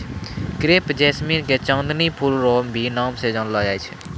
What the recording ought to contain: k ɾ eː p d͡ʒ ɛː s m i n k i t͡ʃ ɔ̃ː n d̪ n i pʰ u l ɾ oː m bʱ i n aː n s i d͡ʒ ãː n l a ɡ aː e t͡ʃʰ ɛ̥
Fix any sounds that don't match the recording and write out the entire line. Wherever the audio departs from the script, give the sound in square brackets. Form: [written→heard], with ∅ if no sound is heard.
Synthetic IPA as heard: k ɾ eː p d͡ʒ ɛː s m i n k [i→e] t͡ʃ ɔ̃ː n d̪ n i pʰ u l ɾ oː m bʱ i n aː [n→m] s [i→e] d͡ʒ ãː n l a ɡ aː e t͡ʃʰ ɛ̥